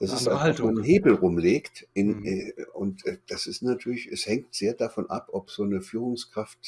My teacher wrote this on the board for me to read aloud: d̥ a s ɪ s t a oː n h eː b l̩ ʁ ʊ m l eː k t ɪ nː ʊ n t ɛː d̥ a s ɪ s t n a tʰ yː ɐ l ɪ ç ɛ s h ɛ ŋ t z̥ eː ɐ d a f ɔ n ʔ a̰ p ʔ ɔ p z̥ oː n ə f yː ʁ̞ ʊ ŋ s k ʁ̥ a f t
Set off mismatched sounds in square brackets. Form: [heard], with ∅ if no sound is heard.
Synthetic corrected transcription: d̥ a s ɪ s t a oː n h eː b l̩ ʁ ʊ m l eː k t ɪ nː ʊ n t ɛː d̥ a s ɪ s t n a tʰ yː ɐ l ɪ ç ɛ s h ɛ ŋ t z̥ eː ɐ d a f ɔ n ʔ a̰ p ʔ ɔ p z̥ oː n ə f yː ʁ̞ ʊ ŋ s k ʁ̥ a f t

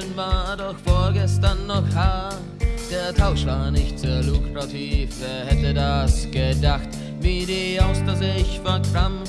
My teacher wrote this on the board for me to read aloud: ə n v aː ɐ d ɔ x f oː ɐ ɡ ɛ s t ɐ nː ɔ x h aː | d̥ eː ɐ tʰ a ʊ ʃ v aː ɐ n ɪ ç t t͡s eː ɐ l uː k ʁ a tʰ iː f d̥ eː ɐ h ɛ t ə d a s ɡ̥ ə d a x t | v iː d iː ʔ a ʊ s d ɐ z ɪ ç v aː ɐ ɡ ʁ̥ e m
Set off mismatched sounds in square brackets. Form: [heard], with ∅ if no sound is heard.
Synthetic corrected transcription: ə n v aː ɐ d ɔ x f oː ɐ ɡ ɛ s t ɐ nː ɔ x h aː | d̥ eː ɐ tʰ a ʊ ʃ v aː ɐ n ɪ ç t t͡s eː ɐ l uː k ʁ a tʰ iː f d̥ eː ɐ h ɛ t ə d a s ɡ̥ ə d a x t | v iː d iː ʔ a ʊ s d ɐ z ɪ ç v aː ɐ [k] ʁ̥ [a] m

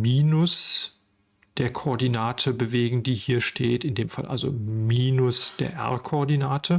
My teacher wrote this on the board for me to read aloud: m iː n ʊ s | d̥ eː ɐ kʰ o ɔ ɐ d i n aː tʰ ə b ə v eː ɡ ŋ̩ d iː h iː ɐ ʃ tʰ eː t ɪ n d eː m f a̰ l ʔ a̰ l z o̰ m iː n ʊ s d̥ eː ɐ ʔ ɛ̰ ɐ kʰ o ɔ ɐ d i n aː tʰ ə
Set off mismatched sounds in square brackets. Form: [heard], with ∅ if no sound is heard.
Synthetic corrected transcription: m iː n ʊ s | d̥ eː ɐ kʰ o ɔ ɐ d i n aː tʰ ə b ə v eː ɡ ŋ̩ d iː h iː ɐ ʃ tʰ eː t ɪ n d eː m f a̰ l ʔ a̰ l z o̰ m iː n ʊ s d̥ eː ɐ ʔ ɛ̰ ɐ kʰ o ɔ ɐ d i n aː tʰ ə

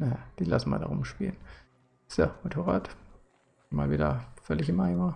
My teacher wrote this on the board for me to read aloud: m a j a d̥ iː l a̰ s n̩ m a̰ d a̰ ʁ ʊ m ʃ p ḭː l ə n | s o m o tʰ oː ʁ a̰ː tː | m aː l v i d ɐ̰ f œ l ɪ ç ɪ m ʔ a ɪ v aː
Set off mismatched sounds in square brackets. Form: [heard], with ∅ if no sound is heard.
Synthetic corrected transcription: [n] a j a d̥ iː l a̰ s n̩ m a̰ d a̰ ʁ ʊ m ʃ p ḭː l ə n | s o m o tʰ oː ʁ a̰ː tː | m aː l v [iː] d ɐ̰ f œ l ɪ ç ɪ m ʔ a ɪ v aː

